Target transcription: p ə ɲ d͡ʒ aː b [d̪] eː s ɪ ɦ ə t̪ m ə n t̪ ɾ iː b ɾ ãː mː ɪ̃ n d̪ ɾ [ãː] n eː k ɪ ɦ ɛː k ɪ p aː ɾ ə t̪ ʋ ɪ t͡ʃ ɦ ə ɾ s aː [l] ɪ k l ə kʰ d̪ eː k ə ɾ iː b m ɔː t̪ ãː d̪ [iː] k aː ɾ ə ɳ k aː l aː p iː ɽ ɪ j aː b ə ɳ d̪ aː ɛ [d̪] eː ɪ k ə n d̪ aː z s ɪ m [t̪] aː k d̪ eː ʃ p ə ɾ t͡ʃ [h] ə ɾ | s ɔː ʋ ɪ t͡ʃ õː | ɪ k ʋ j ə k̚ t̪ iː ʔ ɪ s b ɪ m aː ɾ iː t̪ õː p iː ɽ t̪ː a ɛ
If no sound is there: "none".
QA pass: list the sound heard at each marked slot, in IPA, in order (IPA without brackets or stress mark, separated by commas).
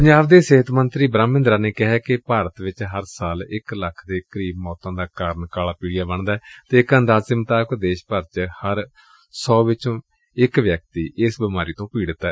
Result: d̪, aː, l, aː, t̪, t̪, h